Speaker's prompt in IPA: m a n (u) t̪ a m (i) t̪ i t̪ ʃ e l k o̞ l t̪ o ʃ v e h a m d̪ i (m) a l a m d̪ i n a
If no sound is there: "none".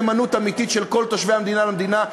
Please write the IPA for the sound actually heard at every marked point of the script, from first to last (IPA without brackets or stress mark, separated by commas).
u, i, n